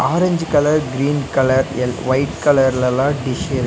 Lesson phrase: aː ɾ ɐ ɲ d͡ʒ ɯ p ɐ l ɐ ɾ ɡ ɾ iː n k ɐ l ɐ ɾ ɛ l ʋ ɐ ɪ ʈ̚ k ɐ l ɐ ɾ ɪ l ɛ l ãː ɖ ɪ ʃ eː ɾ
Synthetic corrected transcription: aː ɾ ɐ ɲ d͡ʒ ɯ k ɐ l ɐ ɾ ɡ ɾ iː n k ɐ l ɐ ɾ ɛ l ʋ ɐ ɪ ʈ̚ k ɐ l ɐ ɾ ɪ l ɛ l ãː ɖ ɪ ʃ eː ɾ